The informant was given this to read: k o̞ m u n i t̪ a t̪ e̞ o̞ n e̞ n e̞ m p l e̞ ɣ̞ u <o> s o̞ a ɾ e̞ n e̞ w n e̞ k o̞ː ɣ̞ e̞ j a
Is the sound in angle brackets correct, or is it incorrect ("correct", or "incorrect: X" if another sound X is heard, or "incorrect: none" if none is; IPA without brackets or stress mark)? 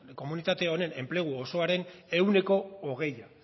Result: correct